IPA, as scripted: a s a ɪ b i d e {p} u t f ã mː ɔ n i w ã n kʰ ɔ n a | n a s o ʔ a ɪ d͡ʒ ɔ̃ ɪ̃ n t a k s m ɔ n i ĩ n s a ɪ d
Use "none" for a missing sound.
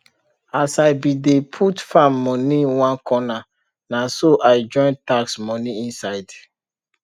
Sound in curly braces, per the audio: pʰ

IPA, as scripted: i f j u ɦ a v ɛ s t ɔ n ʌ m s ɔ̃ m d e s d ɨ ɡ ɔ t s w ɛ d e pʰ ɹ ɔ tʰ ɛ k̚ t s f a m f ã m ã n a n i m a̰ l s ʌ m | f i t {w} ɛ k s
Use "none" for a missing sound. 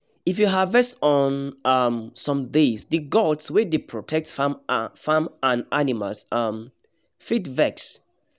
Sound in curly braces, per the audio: v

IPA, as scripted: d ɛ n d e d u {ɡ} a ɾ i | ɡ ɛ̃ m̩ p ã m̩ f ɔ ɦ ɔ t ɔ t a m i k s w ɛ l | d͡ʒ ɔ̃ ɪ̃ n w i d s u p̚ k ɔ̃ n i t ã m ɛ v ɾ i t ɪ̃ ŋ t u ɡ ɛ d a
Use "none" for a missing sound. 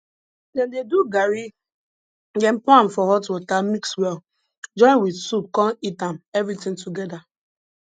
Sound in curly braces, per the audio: ɡ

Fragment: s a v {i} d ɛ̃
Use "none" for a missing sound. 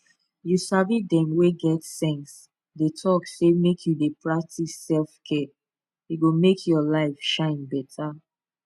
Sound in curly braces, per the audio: i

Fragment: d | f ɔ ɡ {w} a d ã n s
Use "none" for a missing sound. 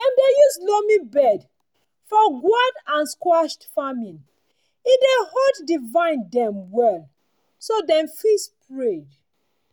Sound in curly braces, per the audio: w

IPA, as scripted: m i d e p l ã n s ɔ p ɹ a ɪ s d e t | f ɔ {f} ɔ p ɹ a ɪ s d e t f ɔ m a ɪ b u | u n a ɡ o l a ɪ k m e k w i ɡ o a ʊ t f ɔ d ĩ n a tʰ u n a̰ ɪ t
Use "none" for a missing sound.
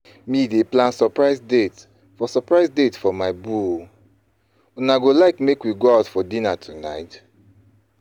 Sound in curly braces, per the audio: s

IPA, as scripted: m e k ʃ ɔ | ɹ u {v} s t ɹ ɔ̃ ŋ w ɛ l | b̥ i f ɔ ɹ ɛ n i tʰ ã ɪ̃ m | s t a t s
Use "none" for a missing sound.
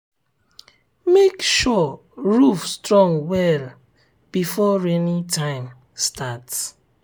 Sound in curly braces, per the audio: f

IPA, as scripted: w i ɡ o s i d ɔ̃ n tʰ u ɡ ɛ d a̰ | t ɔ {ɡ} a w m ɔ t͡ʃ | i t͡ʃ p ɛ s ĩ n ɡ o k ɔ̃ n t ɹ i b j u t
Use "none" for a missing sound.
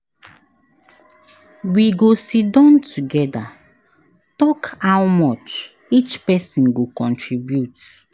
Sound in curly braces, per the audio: k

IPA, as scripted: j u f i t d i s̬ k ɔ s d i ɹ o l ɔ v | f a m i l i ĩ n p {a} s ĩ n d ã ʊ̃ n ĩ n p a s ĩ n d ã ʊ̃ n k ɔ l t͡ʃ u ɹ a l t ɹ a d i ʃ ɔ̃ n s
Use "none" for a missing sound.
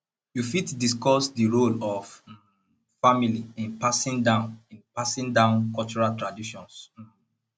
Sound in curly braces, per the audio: a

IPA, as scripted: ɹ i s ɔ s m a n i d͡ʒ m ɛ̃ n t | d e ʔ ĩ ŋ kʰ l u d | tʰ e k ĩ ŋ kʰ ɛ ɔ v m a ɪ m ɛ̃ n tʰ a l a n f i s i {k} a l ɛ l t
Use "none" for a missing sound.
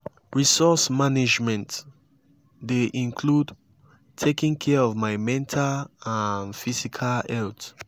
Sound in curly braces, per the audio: kʰ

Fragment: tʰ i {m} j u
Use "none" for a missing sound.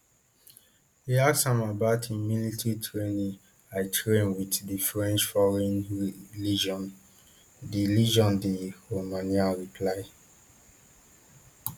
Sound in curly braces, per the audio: m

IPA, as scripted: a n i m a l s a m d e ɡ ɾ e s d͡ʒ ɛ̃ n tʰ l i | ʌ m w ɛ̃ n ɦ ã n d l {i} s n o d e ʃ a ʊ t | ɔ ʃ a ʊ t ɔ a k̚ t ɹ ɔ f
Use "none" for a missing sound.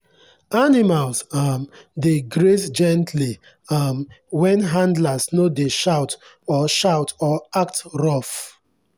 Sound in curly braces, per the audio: a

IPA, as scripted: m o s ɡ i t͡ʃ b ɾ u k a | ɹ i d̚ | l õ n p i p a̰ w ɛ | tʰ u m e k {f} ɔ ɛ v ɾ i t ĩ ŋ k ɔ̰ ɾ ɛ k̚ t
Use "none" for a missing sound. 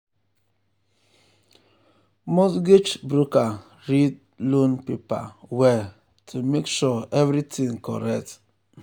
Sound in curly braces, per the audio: ʃ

